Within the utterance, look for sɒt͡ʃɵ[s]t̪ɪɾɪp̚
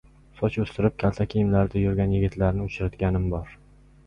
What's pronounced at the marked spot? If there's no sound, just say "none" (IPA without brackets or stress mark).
s